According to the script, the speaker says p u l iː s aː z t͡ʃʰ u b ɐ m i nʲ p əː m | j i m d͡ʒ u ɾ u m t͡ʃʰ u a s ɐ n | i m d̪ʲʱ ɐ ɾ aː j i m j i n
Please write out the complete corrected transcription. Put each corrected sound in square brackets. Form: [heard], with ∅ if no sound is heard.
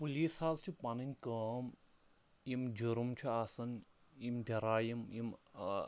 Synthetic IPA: p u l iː s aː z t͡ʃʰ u [p] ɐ [n] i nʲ [k] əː m | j i m d͡ʒ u ɾ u m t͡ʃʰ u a s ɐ n | i m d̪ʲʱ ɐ ɾ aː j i m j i [m]